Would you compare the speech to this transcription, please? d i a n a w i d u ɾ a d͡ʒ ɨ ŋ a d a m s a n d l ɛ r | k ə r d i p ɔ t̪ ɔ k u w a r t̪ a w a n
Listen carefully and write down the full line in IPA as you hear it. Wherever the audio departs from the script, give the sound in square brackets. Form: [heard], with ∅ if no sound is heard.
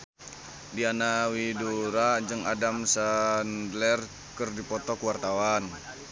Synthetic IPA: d i a n a w i d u ɾ a d͡ʒ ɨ ŋ a d a m s a n d l ɛ r | k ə r d i p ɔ t̪ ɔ k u w a r t̪ a w a n